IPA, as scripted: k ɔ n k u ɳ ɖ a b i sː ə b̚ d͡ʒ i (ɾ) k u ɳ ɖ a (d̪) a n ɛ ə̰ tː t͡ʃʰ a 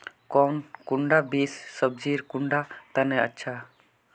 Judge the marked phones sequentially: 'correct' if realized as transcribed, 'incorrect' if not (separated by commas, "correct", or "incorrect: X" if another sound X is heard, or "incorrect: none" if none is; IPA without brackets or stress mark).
correct, incorrect: t̪